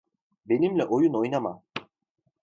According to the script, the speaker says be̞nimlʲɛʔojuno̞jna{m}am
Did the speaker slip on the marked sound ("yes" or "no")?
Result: no